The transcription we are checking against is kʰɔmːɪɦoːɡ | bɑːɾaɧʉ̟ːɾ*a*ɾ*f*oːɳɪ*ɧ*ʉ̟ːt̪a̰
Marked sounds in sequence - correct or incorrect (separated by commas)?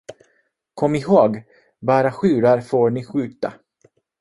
correct, correct, correct